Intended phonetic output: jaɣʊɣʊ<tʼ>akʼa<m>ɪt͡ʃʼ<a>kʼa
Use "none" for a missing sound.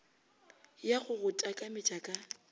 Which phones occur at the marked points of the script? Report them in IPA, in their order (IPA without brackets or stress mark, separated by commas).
tʼ, m, a